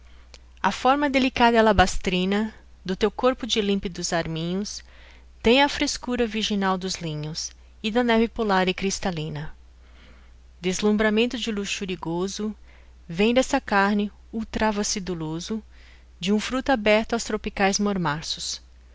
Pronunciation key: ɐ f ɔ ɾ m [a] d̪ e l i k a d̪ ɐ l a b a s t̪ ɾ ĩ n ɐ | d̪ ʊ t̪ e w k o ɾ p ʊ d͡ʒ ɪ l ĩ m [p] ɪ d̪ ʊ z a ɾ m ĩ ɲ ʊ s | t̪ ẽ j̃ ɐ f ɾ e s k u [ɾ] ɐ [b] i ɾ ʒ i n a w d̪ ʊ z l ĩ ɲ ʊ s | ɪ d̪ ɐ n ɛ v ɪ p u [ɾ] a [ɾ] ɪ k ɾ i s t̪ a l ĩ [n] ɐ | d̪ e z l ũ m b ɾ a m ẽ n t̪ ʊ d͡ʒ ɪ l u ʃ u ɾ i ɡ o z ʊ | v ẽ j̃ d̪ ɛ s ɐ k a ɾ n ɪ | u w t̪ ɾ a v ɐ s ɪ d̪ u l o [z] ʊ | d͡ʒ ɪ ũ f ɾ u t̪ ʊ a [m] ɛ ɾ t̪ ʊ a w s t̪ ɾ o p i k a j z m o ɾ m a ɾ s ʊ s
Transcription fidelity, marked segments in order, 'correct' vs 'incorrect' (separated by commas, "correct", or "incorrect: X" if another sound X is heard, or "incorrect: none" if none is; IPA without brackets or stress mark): incorrect: ɐ, correct, correct, incorrect: v, incorrect: l, correct, correct, correct, incorrect: b